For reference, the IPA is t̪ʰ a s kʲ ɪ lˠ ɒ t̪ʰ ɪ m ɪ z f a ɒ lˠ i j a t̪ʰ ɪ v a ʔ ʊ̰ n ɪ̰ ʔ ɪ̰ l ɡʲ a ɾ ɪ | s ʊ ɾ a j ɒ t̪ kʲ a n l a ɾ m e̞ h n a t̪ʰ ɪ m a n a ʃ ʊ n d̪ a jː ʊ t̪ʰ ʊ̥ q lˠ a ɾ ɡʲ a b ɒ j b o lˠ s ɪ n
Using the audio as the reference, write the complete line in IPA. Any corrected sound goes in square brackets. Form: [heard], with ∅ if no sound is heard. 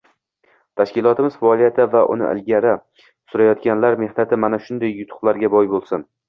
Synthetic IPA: t̪ʰ a [ʃ] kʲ ɪ lˠ ɒ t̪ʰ ɪ m ɪ z f a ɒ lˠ i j a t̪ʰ ɪ v a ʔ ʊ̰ n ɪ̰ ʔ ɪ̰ l ɡʲ a ɾ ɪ | s ʊ ɾ a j ɒ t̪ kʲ a n l a ɾ m e̞ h n a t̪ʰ ɪ m a n a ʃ ʊ n d̪ a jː ʊ t̪ʰ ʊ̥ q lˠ a ɾ ɡʲ a b ɒ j b o lˠ s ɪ n